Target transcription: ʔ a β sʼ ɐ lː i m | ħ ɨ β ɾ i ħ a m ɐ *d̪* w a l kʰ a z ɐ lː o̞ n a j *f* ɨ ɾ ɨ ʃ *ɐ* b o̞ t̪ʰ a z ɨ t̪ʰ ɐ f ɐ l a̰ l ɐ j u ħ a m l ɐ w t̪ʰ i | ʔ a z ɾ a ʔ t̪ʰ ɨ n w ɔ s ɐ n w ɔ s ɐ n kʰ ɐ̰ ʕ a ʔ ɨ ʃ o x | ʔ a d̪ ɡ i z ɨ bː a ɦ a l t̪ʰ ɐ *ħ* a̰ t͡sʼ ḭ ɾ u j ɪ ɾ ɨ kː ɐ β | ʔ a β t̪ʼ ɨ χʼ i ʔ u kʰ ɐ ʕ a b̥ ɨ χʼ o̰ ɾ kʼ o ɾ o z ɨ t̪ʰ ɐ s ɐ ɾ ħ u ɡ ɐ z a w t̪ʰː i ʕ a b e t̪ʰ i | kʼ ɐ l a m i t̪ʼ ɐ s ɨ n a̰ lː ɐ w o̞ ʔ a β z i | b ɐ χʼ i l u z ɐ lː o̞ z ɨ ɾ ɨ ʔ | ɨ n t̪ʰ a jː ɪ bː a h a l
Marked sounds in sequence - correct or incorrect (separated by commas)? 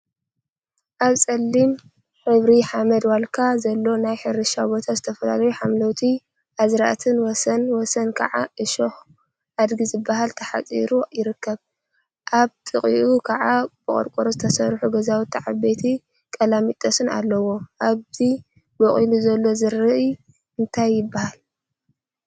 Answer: correct, incorrect, incorrect, correct